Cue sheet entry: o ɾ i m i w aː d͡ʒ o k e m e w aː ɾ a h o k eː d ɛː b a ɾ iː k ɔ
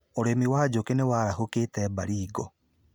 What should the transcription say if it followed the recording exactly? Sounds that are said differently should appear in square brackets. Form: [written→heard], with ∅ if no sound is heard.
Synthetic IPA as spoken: o ɾ [i→e] m i w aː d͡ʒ o k e [m→n] e w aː ɾ a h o k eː [d→t] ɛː b a ɾ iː [k→ɡ] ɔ